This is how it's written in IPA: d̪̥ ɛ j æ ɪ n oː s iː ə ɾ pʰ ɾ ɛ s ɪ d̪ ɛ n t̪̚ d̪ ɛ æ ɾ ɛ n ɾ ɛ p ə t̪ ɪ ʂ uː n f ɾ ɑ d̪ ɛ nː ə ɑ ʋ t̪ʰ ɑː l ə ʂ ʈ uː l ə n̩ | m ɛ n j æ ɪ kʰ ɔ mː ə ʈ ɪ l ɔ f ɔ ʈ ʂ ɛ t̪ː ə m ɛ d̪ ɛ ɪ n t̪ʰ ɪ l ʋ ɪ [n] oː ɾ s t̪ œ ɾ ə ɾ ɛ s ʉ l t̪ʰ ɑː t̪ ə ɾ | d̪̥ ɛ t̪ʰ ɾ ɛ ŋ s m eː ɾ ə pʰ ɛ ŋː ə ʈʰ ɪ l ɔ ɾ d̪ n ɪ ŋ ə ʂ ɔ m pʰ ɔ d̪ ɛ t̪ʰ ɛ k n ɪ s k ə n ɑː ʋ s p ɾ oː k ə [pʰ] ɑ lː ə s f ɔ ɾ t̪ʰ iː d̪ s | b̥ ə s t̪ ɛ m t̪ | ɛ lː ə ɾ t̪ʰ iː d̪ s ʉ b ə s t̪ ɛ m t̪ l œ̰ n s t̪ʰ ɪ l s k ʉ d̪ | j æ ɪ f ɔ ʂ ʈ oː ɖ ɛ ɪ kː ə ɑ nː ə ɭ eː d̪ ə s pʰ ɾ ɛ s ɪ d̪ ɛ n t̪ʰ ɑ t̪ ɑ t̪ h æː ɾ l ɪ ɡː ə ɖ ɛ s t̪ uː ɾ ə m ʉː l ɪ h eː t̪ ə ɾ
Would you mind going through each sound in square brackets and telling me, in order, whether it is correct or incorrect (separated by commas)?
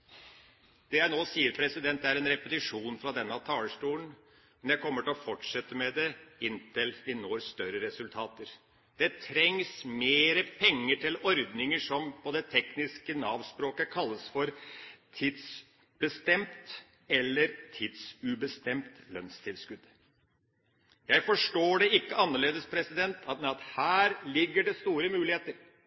correct, incorrect